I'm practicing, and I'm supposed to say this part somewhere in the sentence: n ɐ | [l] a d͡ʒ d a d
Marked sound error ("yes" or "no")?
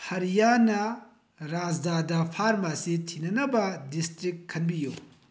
yes